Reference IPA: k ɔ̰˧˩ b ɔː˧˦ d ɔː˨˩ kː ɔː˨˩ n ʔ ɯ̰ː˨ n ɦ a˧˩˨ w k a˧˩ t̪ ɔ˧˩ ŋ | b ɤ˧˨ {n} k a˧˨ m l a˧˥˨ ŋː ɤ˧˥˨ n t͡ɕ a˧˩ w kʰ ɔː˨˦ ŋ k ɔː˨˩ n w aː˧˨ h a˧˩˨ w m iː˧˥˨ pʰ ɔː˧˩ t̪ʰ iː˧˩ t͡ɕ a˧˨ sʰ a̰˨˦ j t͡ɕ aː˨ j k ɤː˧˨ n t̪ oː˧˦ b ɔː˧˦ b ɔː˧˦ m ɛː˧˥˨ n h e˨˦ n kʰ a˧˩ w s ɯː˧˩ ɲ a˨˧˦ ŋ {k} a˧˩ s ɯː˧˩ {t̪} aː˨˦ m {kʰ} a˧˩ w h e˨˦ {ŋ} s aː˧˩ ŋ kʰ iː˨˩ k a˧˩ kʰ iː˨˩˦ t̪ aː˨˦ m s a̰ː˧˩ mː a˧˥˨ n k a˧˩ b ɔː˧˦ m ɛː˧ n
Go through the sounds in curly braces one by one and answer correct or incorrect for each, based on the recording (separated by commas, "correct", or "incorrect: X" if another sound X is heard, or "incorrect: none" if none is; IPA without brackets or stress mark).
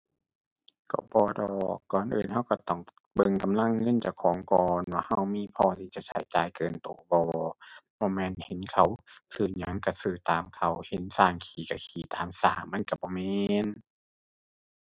incorrect: ŋ, correct, correct, correct, incorrect: n